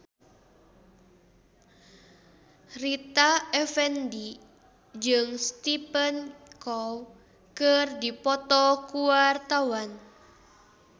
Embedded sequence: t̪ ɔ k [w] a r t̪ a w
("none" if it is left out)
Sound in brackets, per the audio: u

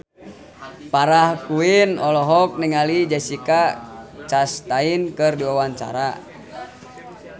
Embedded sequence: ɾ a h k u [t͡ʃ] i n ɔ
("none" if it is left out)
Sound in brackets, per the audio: none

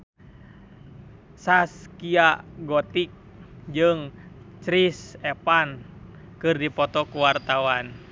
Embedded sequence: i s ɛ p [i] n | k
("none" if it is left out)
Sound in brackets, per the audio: a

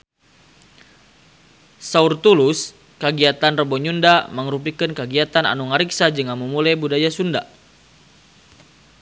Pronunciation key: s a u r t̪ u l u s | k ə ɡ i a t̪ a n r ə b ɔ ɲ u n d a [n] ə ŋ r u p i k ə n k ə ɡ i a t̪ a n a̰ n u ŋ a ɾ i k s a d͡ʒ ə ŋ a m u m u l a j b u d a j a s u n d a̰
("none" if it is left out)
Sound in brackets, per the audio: m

